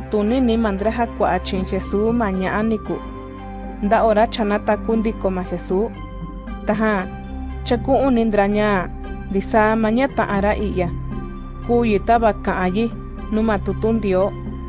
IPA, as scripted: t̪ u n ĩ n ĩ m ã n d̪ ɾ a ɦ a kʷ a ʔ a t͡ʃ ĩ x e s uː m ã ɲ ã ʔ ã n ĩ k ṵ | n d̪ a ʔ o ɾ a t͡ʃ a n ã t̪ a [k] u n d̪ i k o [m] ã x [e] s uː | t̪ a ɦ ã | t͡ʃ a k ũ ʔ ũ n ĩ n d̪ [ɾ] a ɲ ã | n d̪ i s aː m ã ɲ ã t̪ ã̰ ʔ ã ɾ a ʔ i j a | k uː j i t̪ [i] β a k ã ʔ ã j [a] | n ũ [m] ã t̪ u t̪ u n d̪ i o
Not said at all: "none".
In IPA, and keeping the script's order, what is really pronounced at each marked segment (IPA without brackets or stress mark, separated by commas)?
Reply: k, m, e, ɾ, a, i, m